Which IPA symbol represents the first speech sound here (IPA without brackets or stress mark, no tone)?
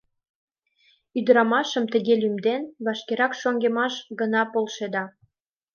y